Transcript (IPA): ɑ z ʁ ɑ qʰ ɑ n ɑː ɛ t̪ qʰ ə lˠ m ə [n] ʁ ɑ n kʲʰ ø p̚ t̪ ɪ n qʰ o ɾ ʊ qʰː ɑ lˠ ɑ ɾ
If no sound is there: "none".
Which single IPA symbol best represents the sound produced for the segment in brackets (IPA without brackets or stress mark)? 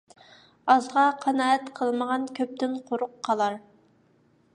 none